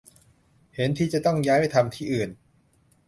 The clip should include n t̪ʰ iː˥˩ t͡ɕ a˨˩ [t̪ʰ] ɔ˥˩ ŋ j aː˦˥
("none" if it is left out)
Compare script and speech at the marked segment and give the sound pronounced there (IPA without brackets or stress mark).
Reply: t̪